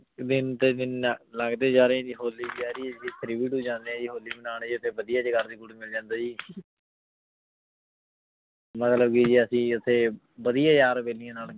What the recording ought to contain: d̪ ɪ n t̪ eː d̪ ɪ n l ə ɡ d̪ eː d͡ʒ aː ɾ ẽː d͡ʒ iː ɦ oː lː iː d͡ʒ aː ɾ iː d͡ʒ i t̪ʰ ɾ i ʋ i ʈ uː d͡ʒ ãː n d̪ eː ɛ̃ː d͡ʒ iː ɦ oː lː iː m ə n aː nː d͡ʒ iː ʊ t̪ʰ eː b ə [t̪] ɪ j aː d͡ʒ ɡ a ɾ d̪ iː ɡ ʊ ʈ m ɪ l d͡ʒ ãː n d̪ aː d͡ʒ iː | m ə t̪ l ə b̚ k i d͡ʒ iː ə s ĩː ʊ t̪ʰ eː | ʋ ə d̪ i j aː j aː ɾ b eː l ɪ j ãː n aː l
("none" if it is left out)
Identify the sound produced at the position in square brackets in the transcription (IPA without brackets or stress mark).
d̪